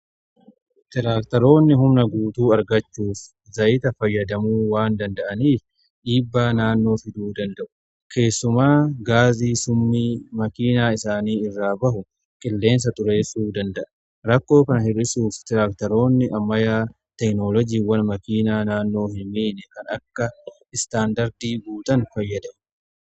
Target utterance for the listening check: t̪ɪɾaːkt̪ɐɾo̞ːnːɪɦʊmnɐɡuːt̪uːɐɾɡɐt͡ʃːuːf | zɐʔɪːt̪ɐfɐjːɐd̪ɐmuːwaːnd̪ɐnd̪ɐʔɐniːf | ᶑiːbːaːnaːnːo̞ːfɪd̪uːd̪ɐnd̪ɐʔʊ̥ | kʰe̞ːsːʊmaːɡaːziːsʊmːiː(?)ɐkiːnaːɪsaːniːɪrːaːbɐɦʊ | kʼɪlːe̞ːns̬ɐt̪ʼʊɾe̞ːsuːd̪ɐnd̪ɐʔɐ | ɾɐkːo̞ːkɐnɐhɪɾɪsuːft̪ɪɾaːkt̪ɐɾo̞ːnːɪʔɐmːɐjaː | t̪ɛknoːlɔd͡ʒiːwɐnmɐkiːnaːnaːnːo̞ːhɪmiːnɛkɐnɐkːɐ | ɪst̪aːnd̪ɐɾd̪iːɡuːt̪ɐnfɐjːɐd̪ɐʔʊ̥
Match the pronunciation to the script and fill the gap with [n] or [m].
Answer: m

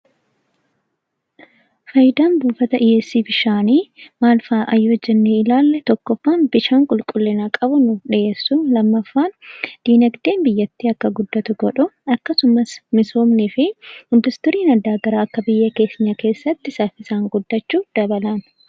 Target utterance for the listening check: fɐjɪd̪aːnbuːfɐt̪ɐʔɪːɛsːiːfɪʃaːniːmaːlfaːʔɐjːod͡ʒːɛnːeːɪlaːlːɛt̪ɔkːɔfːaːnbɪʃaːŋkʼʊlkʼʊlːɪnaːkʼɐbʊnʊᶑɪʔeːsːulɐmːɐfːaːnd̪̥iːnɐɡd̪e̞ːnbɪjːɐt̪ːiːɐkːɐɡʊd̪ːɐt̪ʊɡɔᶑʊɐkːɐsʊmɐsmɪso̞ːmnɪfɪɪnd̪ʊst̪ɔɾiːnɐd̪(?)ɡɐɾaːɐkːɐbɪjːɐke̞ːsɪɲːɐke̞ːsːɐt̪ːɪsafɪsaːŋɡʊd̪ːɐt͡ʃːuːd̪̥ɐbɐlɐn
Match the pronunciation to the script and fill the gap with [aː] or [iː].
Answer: aː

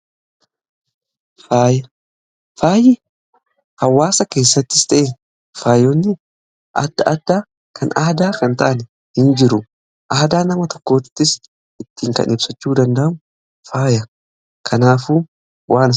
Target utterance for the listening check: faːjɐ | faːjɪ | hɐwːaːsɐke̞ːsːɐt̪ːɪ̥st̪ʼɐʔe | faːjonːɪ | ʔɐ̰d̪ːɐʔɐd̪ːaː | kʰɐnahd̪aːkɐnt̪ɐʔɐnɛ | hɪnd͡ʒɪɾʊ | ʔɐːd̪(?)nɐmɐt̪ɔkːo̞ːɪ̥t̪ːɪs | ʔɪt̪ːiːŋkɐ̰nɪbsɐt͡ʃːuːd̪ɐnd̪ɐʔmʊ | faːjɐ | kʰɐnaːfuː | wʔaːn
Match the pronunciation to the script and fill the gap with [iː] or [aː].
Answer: aː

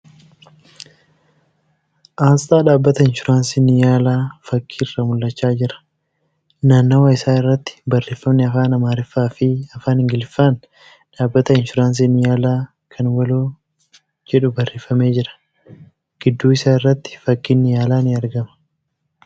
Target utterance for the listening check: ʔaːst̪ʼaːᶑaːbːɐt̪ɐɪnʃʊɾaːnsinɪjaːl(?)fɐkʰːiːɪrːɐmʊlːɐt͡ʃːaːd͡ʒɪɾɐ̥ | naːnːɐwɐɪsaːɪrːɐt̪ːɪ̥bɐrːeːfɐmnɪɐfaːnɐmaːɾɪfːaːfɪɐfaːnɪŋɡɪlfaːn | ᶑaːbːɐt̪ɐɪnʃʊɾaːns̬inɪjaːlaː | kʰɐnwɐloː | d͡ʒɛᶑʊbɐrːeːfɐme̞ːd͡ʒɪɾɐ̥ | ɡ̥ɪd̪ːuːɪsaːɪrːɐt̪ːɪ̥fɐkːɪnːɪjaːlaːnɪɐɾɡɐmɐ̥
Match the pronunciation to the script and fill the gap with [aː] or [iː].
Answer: aː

